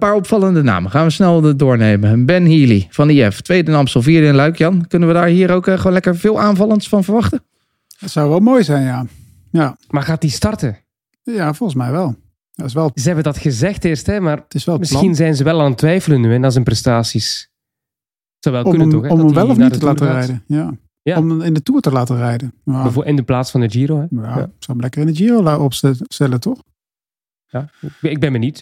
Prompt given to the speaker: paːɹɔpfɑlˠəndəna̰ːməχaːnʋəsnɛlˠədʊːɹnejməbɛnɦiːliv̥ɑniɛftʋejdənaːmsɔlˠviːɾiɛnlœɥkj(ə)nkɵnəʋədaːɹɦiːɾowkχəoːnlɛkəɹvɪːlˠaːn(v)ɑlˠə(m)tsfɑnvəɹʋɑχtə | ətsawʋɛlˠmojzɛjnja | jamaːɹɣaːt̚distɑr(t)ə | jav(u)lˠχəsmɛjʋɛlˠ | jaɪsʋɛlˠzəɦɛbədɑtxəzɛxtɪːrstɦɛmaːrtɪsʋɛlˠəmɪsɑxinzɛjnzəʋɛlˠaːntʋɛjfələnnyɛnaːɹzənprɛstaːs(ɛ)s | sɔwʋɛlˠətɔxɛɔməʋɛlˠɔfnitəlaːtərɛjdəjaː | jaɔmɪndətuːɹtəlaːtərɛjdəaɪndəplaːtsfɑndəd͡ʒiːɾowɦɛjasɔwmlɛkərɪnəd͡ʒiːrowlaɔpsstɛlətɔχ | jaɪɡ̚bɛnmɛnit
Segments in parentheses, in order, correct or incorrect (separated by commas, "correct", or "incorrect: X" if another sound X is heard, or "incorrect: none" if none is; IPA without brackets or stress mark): incorrect: ɑ, correct, incorrect: n, correct, incorrect: ɔ, incorrect: i